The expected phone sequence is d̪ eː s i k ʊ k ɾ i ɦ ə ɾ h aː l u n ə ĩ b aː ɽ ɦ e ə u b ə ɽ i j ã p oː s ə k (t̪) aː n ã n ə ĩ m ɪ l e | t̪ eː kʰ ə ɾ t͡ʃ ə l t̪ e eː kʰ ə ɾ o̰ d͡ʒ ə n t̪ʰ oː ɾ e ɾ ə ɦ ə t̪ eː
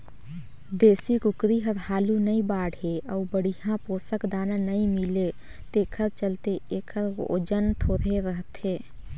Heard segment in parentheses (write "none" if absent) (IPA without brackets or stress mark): d̪